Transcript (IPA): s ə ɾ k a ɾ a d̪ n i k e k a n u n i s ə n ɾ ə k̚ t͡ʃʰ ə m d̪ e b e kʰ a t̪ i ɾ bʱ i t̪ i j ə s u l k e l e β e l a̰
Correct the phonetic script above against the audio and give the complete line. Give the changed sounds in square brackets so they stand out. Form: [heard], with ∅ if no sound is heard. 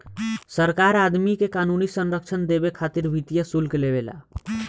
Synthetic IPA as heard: s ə ɾ k a ɾ a d̪ [m] i k e k a n u n i s ə n ɾ ə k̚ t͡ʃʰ ə [n] d̪ e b e kʰ a t̪ i ɾ bʱ i t̪ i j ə s u l k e l e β e l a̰